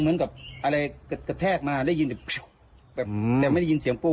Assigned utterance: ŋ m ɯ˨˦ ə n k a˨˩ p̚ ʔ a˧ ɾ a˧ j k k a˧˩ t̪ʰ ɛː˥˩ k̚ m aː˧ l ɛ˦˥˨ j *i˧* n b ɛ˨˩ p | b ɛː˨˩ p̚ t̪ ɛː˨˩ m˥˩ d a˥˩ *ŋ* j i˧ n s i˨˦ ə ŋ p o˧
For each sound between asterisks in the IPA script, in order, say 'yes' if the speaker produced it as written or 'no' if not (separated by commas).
yes, no